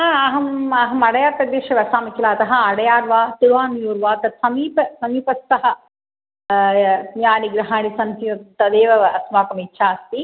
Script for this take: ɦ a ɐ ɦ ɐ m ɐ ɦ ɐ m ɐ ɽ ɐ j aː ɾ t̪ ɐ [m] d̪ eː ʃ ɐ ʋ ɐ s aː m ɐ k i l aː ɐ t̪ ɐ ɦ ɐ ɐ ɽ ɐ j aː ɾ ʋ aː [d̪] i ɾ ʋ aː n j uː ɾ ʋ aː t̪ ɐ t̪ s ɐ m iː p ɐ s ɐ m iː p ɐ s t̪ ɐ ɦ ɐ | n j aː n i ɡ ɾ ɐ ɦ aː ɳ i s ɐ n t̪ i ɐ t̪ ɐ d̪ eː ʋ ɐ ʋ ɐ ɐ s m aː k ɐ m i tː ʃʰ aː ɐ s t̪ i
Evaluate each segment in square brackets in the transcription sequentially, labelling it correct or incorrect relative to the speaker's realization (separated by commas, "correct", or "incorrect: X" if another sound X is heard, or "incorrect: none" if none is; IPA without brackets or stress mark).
incorrect: none, incorrect: t̪